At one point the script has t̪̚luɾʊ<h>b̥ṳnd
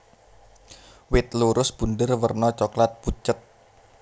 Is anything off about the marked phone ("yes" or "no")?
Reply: yes